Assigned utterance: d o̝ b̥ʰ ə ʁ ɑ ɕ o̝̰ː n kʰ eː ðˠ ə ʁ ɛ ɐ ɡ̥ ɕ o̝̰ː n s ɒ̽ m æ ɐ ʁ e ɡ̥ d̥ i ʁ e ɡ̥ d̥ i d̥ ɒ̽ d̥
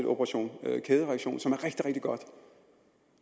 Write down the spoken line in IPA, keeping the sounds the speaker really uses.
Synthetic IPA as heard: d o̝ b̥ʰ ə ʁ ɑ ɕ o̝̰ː n kʰ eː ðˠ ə ʁ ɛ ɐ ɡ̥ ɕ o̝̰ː n s ɒ̽ m æ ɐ ʁ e ɡ̥ d̥ i ʁ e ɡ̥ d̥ i ɡ̥ ɒ̽ d̥